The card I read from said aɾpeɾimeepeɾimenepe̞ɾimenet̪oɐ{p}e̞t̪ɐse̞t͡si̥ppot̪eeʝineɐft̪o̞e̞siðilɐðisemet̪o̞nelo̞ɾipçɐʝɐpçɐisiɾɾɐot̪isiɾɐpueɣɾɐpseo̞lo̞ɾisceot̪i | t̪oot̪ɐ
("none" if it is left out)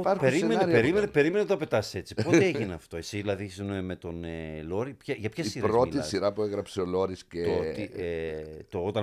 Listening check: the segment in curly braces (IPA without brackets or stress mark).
p